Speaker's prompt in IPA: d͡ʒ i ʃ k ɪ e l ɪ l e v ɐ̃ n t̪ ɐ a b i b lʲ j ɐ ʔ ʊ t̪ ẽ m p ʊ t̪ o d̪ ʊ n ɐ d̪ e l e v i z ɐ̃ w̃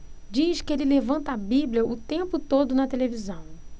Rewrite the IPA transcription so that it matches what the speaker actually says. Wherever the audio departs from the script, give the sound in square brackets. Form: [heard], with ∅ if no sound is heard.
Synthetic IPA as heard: d͡ʒ i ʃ k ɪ e l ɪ l e v ɐ̃ n t̪ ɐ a b i b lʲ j ɐ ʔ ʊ t̪ ẽ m p ʊ t̪ o d̪ ʊ n ɐ [t̪] e l e v i z ɐ̃ w̃

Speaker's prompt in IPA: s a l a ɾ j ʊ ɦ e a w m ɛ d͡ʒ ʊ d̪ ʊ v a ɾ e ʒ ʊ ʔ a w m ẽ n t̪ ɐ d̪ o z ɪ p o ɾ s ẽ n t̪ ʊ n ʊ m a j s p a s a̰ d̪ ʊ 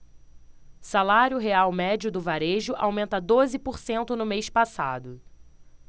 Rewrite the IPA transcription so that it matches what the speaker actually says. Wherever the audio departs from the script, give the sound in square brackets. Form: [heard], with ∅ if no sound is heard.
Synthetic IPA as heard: s a l a ɾ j ʊ ɦ e a w m ɛ d͡ʒ ʊ d̪ ʊ v a ɾ e ʒ ʊ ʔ a w m ẽ n t̪ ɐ d̪ o z ɪ p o ɾ s ẽ n t̪ ʊ n ʊ m [e] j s p a s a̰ d̪ ʊ

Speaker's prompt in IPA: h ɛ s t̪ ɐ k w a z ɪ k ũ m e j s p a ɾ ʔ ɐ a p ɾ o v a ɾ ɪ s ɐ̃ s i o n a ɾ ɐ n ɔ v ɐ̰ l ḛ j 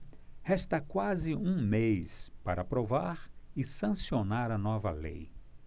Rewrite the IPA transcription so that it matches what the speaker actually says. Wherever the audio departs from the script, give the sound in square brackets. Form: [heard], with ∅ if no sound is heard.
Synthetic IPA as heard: h ɛ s t̪ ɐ k w a z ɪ [∅] ũ m e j s p a ɾ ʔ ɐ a p ɾ o v a ɾ ɪ s ɐ̃ s i o n a ɾ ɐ n ɔ v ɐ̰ l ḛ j

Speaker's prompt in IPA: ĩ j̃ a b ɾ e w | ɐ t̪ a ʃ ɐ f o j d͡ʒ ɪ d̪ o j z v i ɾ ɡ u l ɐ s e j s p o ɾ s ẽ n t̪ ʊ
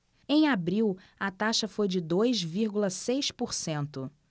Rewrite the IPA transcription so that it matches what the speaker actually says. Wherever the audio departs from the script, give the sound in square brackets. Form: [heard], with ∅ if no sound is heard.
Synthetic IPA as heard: [ẽ] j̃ a b ɾ [i] w | ɐ t̪ a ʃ ɐ f o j d͡ʒ ɪ d̪ o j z v i ɾ ɡ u l ɐ s e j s p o ɾ s ẽ n t̪ ʊ

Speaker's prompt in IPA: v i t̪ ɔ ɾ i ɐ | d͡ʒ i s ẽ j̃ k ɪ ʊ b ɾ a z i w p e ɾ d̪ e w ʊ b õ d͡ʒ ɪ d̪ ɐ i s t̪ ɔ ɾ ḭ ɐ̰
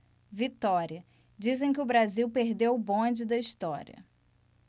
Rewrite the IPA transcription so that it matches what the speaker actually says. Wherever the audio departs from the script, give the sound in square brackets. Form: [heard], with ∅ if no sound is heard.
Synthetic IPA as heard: v i t̪ ɔ ɾ i ɐ | d͡ʒ i [z] ẽ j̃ k ɪ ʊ b ɾ a z i w p e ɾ d̪ e w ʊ b õ d͡ʒ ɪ d̪ ɐ i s t̪ ɔ ɾ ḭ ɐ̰

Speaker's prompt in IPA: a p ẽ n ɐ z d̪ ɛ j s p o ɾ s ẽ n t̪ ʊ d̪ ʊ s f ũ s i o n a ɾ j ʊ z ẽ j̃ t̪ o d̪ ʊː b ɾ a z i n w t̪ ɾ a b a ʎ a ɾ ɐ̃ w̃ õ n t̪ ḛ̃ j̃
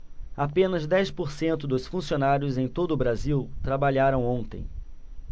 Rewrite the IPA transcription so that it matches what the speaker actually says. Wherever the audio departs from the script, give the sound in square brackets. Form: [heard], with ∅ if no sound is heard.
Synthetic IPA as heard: a p ẽ n ɐ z d̪ ɛ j s p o ɾ s ẽ n t̪ ʊ d̪ ʊ s f ũ s i o n a ɾ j ʊ z ẽ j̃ t̪ o d̪ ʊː b ɾ a z i [∅] w t̪ ɾ a b a ʎ a ɾ ɐ̃ w̃ õ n t̪ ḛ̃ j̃

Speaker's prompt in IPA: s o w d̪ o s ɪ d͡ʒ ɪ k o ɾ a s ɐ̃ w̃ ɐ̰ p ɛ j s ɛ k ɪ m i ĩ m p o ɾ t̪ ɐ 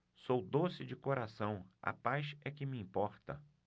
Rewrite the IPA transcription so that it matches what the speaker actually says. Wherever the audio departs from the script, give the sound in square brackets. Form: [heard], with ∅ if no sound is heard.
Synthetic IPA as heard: s o w d̪ o s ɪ d͡ʒ ɪ k o ɾ a s ɐ̃ w̃ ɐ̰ p [a] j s ɛ k ɪ m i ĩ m p [ɔ] ɾ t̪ ɐ

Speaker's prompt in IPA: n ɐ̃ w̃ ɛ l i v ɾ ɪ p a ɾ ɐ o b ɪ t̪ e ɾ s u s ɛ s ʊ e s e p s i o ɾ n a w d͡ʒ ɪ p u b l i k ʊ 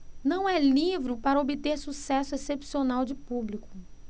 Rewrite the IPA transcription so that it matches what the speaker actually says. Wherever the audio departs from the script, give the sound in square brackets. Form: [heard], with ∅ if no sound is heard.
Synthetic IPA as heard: n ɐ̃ w̃ ɛ l i v ɾ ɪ p a ɾ ɐ o b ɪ t̪ e ɾ s u s ɛ s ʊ e s e p s i o [∅] n a w d͡ʒ ɪ p u b l i k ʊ

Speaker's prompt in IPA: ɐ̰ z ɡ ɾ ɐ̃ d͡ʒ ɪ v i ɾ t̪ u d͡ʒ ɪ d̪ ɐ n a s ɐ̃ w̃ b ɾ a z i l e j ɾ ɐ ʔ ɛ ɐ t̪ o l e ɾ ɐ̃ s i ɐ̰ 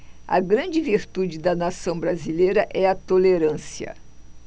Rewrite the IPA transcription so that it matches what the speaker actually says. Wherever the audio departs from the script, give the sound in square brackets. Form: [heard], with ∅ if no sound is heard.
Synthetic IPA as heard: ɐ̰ [∅] ɡ ɾ ɐ̃ d͡ʒ ɪ v i ɾ t̪ u d͡ʒ ɪ d̪ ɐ n a s ɐ̃ w̃ b ɾ a z i l e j ɾ ɐ ʔ ɛ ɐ t̪ o l e ɾ ɐ̃ s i ɐ̰

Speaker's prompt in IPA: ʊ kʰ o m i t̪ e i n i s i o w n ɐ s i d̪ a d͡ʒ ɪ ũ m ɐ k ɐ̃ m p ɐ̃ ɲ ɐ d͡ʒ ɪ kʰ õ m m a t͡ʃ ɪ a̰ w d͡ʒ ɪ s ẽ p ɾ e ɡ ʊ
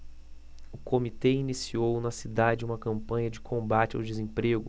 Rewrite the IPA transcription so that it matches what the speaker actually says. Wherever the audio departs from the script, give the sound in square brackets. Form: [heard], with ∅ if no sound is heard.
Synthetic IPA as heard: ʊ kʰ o m i t̪ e i n i s i o w n ɐ s i d̪ a d͡ʒ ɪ ũ m ɐ k ɐ̃ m p ɐ̃ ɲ ɐ d͡ʒ ɪ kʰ õ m [b] a t͡ʃ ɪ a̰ w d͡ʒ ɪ [z] ẽ p ɾ e ɡ ʊ

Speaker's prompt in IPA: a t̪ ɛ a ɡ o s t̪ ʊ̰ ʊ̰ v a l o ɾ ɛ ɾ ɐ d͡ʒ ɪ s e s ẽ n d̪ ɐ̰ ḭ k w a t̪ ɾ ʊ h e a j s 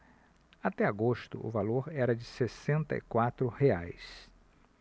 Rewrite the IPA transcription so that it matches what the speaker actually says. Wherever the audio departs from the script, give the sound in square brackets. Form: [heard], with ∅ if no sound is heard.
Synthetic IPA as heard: a t̪ ɛ a ɡ o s t̪ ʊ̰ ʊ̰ v a l o ɾ ɛ ɾ ɐ d͡ʒ ɪ s e s ẽ n [t̪] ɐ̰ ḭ k w a t̪ ɾ ʊ h e a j s

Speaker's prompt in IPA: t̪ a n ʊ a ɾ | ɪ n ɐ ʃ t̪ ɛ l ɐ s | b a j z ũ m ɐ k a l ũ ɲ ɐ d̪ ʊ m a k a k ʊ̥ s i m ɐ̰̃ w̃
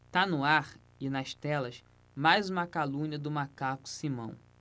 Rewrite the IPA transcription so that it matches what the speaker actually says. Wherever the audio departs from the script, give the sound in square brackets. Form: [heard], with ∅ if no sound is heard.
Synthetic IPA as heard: t̪ a n ʊ a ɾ | ɪ n ɐ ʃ t̪ ɛ l ɐ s | [m] a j z ũ m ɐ k a l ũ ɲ ɐ d̪ ʊ m a k a k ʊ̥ s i m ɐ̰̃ w̃

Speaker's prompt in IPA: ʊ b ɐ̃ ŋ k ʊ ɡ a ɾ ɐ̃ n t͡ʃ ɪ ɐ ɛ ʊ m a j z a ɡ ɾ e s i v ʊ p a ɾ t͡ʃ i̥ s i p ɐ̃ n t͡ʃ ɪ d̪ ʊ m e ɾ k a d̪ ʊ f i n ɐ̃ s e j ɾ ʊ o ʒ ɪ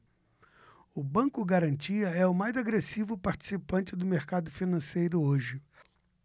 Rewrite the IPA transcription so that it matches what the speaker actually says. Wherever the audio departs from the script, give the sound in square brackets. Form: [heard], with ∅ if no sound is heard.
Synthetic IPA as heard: ʊ b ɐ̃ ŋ k ʊ ɡ a ɾ ɐ̃ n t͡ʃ [i] ɐ ɛ ʊ m a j z a ɡ ɾ e s i v ʊ p a ɾ t͡ʃ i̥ s i p ɐ̃ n t͡ʃ ɪ d̪ ʊ m e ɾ k a d̪ ʊ f i n ɐ̃ s e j ɾ ʊ o ʒ ɪ

